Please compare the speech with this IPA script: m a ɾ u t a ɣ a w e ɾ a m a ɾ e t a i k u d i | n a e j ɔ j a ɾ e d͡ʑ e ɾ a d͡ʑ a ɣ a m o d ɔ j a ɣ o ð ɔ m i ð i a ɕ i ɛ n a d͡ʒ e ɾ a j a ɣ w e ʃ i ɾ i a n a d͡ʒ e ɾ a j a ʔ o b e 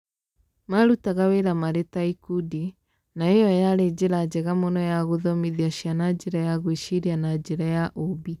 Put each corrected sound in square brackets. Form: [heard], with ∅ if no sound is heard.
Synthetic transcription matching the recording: m a ɾ u t a ɣ a w e ɾ a m a ɾ e t a i k u d i | n a e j ɔ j a ɾ e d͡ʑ e ɾ a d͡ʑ [ɛ] ɣ a m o [n] ɔ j a ɣ o ð ɔ m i ð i a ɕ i [a] n a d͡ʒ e ɾ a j a ɣ w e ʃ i ɾ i a n a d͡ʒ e ɾ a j a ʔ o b [i]